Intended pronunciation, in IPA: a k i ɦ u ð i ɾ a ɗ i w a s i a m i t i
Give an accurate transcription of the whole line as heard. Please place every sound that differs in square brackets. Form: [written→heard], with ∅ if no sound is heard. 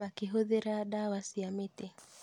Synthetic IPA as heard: a k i ɦ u ð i ɾ a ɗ [i→a] w a s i a m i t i